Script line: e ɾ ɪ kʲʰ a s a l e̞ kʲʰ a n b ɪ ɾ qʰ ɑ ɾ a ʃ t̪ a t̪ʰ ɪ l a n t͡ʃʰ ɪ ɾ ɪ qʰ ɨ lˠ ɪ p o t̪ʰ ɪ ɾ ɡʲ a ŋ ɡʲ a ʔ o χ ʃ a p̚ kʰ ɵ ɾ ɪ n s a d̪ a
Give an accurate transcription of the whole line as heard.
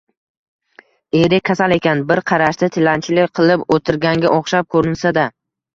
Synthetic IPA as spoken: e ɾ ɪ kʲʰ a s a l e̞ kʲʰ a n b ɪ ɾ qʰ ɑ ɾ a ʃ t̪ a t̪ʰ ɪ l a n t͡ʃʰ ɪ l ɪ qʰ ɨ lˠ ɪ p o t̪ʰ ɪ ɾ ɡʲ a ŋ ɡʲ a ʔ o χ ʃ a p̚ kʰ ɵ ɾ ɪ n s a d̪ a